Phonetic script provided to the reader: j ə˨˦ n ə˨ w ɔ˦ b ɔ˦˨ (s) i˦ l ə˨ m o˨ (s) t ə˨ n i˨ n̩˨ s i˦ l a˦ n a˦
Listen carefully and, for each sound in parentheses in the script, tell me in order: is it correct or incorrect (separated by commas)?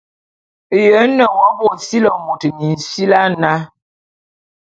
correct, incorrect